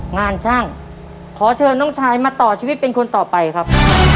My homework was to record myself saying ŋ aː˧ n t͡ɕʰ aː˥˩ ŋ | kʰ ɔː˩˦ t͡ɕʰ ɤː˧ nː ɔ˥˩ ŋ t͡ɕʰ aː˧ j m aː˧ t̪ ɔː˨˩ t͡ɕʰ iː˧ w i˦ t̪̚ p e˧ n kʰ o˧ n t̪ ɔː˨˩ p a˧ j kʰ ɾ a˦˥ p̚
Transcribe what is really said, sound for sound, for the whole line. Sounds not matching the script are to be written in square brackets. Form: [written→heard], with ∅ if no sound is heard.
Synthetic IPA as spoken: ŋ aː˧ n t͡ɕʰ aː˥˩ ŋ | kʰ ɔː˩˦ t͡ɕʰ ɤː˧ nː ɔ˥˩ ŋ t͡ɕʰ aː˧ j m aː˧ t̪ ɔː˨˩ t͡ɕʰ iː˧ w i˦ t̪̚ p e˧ n kʰ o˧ n t̪ ɔː˨˩ p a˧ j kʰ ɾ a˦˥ p̚